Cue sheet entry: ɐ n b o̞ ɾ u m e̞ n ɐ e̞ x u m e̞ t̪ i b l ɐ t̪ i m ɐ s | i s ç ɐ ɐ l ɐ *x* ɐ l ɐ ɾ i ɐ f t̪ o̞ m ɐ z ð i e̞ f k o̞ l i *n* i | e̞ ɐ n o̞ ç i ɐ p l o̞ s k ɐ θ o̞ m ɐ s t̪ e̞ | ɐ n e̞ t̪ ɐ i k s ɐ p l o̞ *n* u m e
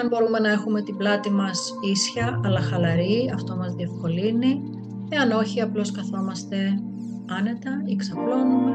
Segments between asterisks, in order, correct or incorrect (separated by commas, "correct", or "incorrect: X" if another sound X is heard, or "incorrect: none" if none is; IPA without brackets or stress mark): correct, correct, correct